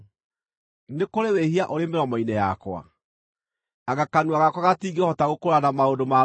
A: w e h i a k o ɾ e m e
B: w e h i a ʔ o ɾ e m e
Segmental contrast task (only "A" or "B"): B